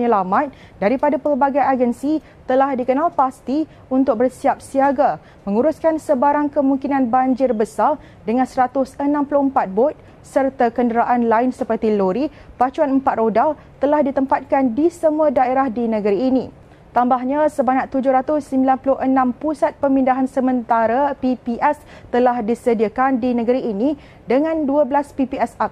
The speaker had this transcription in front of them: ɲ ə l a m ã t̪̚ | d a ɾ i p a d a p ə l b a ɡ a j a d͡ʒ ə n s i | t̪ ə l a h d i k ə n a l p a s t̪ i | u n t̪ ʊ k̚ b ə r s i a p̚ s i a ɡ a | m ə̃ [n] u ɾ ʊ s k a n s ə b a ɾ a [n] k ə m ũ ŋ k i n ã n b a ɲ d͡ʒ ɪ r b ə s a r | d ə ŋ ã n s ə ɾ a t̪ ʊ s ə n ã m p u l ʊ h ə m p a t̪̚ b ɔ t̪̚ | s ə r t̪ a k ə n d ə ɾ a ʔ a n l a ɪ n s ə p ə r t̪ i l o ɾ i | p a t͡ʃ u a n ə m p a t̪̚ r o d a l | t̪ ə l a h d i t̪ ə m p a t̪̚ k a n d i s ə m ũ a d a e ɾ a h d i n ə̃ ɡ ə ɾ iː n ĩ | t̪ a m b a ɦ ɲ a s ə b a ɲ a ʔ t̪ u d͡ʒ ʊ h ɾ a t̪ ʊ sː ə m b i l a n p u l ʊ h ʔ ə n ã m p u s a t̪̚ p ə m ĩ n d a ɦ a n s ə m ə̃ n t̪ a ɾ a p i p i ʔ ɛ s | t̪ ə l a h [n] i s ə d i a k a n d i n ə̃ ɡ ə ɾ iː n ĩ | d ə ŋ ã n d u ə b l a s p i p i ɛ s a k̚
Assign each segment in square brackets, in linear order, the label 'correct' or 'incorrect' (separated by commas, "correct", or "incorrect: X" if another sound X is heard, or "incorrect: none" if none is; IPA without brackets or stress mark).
incorrect: ŋ, incorrect: ŋ, incorrect: d